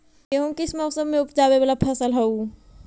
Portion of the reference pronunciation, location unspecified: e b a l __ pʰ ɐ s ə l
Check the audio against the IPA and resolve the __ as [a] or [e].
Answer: a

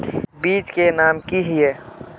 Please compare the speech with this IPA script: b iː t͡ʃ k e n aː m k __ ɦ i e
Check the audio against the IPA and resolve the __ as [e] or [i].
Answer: i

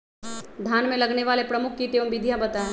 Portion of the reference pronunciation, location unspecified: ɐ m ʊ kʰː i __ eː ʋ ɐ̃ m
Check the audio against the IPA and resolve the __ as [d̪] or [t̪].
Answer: t̪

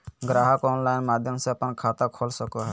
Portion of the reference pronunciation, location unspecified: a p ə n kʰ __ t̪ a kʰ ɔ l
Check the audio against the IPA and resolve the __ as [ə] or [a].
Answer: a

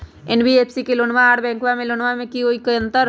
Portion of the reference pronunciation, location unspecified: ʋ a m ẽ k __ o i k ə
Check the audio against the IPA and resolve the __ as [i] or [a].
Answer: i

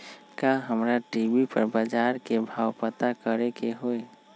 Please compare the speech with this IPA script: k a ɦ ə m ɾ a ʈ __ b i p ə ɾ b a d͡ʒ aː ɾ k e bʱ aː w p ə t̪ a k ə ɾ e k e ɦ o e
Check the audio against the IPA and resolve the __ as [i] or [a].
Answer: i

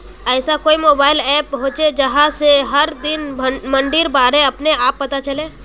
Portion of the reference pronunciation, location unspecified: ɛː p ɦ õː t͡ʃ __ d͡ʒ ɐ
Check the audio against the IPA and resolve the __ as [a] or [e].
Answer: e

